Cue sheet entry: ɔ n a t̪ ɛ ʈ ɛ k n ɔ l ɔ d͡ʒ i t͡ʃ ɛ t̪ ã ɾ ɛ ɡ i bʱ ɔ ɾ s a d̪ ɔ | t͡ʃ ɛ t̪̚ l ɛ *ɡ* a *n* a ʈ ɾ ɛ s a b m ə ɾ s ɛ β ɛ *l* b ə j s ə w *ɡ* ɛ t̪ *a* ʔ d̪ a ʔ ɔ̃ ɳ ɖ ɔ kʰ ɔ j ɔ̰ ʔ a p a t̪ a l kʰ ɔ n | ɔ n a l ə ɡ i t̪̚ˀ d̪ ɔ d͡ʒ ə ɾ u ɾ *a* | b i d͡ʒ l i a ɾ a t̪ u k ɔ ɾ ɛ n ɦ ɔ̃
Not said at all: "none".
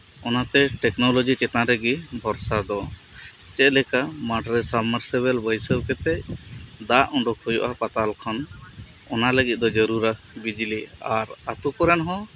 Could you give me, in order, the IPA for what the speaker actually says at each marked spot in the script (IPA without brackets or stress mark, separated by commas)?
k, m, l, k, ɛ, a